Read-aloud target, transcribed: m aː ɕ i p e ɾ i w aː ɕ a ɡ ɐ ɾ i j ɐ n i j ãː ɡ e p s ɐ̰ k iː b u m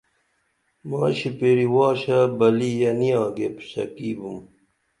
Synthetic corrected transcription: m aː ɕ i p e ɾ i w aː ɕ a b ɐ l i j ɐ n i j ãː ɡ e p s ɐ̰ k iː b u m